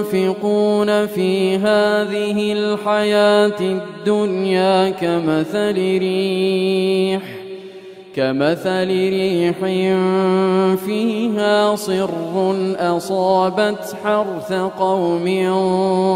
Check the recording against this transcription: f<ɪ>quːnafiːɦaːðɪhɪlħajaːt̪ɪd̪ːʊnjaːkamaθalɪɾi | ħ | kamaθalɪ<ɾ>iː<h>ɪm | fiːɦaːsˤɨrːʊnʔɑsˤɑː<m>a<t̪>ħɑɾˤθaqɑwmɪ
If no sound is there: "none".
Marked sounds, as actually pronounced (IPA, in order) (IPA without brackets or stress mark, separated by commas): ɪ, ɾ, ħ, b, t̪